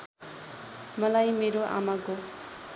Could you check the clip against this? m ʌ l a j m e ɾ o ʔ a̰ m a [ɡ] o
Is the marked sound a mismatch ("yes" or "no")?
no